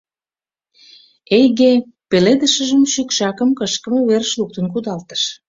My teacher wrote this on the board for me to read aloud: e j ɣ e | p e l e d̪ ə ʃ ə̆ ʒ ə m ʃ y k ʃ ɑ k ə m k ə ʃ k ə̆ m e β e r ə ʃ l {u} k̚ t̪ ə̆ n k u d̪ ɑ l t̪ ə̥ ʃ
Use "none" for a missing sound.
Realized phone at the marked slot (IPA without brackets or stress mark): u